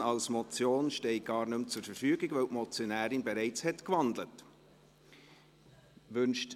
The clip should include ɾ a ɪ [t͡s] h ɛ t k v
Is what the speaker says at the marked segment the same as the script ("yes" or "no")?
yes